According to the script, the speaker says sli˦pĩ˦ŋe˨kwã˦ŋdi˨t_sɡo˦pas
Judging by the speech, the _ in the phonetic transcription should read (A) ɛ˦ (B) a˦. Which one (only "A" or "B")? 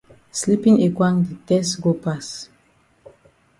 A